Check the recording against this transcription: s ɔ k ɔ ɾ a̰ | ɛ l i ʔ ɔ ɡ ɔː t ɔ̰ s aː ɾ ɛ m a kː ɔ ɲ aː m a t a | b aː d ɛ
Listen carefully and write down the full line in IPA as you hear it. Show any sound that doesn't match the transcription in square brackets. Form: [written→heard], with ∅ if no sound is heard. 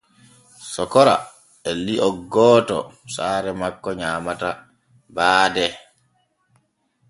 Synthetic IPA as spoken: s ɔ k ɔ ɾ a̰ | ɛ l i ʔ ɔ ɡ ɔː t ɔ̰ s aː ɾ ɛ m a kː ɔ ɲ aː m a t a | b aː d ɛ